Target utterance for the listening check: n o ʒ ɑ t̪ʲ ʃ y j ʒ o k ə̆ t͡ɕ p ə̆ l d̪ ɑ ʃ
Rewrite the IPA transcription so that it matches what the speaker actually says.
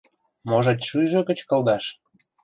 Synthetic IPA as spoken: m o ʒ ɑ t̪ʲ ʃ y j ʒ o k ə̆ t͡ɕ k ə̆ l d̪ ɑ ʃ